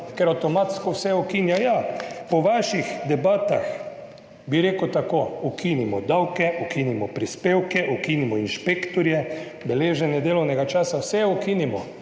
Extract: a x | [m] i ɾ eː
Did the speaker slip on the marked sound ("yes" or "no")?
yes